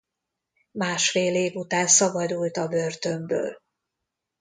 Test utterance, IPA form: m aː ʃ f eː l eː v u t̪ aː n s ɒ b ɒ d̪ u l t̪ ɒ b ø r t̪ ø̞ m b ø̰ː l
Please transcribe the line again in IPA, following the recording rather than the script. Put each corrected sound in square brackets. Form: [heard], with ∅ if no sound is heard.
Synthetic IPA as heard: m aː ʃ f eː l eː v u t̪ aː n s ɒ b ɒ d̪ u l t̪ ɒ b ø r t̪ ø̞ m b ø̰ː l